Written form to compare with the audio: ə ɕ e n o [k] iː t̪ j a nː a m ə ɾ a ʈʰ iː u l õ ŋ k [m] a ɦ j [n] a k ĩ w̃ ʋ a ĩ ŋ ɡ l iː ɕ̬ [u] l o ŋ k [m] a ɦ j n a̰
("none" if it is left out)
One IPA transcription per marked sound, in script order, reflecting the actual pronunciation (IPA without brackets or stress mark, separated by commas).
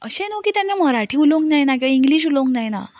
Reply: k, n, n, u, n